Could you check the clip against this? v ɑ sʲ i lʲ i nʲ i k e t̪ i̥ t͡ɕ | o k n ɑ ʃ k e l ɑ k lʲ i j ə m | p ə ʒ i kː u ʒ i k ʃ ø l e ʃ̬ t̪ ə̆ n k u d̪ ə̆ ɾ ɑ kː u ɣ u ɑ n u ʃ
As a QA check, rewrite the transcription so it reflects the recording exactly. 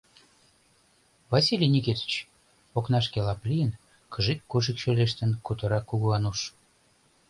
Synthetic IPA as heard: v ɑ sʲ i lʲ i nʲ i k e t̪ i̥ t͡ɕ | o k n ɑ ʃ k e l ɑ p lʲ i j ə n | k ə ʒ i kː u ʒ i k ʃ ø l e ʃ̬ t̪ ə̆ n k u t̪ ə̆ ɾ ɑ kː u ɣ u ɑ n u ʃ